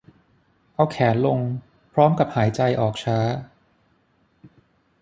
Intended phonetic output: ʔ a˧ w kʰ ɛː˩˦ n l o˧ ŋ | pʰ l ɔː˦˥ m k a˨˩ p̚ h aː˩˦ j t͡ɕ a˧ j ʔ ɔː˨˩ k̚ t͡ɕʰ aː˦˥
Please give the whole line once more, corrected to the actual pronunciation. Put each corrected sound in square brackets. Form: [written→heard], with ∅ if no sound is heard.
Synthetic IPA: ʔ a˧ w kʰ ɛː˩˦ n l o˧ ŋ | pʰ [l→ɾ] ɔː˦˥ m k a˨˩ p̚ h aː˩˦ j t͡ɕ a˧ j ʔ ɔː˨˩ k̚ t͡ɕʰ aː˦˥